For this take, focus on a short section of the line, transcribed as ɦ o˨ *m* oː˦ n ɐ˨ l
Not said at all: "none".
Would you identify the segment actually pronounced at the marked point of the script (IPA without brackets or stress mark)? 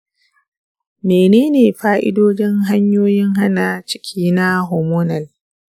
m